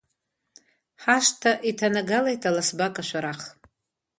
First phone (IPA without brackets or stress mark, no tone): ħ